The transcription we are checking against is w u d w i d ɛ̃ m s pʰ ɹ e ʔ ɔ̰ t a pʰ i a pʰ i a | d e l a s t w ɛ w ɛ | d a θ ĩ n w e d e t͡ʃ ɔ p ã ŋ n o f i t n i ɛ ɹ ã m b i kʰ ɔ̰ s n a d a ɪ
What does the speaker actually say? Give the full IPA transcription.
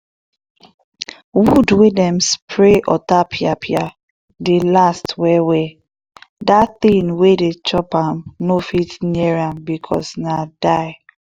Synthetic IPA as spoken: w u d w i d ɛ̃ m s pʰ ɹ e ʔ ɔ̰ t a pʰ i a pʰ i a | d e l a s t w ɛ w ɛ | d a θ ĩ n w e d e t͡ʃ ɔ p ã m n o f i t n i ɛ ɹ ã m b i kʰ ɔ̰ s n a d a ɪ

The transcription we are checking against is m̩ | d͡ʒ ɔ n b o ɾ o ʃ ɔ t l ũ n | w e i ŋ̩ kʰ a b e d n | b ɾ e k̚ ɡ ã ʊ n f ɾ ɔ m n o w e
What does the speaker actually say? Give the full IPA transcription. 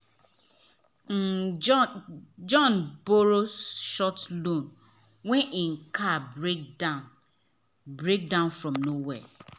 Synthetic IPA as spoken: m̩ | d͡ʒ ɔ n b o ɾ o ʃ ɔ t l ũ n | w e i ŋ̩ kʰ a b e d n | b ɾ e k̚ d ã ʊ n f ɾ ɔ m n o w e

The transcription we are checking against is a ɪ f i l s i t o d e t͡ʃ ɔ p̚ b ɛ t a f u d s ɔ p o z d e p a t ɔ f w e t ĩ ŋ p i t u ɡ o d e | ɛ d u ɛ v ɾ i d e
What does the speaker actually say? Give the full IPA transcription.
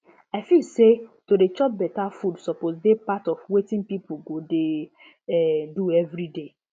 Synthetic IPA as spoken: a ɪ f i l s e t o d e t͡ʃ ɔ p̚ b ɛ t a f u d s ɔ p o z d e p a t ɔ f w e t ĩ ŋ p i p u ɡ o d e | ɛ d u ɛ v ɾ i d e

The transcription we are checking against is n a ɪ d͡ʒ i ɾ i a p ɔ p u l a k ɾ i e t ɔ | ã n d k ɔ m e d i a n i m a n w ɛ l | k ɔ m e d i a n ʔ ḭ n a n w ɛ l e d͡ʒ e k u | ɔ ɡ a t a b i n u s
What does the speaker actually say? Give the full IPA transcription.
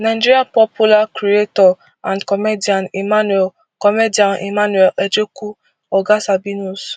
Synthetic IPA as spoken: n a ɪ d͡ʒ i ɾ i a p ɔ p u l a k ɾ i e t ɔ | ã n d k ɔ m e d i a n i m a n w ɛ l | k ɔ m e d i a n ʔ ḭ m a n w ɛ l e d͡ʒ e k u | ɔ ɡ a s a b i n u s

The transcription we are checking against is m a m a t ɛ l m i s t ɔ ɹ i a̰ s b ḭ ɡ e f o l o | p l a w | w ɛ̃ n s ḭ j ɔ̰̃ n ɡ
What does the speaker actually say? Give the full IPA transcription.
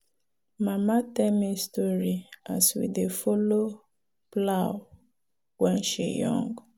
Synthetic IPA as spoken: m a m a t ɛ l m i s t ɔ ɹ i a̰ s w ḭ d e f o l o | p l a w | w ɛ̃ n ʃ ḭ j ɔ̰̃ ŋ ɡ

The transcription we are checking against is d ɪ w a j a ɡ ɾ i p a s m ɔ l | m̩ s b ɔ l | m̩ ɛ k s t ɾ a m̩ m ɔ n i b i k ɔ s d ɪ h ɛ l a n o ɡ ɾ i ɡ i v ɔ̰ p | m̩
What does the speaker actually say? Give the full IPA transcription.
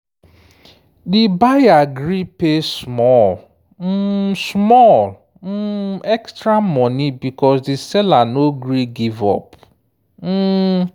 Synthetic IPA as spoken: d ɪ b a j a ɡ ɾ i p e s m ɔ l | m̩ s m ɔ l | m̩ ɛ k s t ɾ a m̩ m ɔ n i b i k ɔ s d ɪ s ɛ l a n o ɡ ɾ i ɡ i v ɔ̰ p | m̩

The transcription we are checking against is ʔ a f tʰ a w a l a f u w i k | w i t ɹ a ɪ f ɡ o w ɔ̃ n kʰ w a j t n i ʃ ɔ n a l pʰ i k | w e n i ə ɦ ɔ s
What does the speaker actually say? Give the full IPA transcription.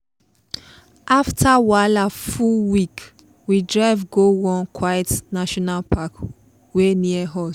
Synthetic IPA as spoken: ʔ a f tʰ a w a l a f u w i k | w i d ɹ a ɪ v ɡ o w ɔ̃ n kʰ w a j t n a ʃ ɔ n a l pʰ a k | w e n i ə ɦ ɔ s

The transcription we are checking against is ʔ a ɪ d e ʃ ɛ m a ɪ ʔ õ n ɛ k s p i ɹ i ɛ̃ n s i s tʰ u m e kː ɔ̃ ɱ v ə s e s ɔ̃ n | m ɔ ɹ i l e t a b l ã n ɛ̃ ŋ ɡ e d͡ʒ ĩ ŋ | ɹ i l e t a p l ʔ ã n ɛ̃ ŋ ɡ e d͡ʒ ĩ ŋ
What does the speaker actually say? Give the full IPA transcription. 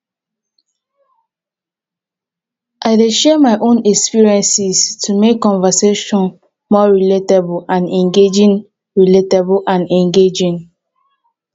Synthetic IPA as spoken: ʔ a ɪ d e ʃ ɛ m a ɪ ʔ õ n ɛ k s p i ɹ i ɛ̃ n s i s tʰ u m e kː ɔ̃ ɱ v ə s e ʃ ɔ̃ n | m ɔ ɹ i l e t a b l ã n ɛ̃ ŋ ɡ e d͡ʒ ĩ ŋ | ɹ i l e t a b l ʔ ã n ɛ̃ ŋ ɡ e d͡ʒ ĩ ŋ

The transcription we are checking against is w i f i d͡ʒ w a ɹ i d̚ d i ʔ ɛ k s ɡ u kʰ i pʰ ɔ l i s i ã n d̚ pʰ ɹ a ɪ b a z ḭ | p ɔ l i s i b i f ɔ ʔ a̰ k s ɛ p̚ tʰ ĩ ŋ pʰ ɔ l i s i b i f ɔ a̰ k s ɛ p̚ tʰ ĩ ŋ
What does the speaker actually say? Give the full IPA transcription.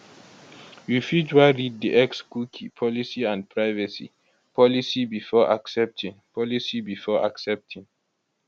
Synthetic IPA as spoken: w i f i d͡ʒ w a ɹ i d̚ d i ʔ ɛ k s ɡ u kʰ i pʰ ɔ l i s i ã n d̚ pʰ ɹ a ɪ v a s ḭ | p ɔ l i s i b i f ɔ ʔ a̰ k s ɛ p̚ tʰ ĩ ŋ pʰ ɔ l i s i b i f ɔ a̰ k s ɛ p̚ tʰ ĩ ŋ

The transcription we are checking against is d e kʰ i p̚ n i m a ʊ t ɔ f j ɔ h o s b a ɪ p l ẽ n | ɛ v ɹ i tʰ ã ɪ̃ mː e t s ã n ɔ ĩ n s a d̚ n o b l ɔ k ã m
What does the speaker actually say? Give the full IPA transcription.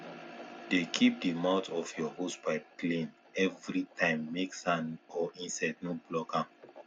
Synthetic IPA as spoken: d e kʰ i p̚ d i m a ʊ t ɔ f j ɔ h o s b a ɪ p l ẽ n | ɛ v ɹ i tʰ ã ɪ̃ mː e k s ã n ɔ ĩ n s a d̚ n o b l ɔ k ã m

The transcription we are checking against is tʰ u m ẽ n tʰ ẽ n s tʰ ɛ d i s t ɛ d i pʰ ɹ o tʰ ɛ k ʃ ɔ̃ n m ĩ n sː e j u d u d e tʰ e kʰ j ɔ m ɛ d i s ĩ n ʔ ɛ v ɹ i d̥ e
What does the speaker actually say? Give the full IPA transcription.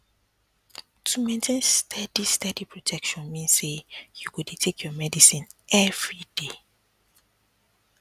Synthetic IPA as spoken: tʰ u m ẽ n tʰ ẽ n s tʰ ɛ d i s t ɛ d i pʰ ɹ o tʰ ɛ k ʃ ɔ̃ n m ĩ n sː e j u ɡ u d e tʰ e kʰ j ɔ m ɛ d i s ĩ n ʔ ɛ v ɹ i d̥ e

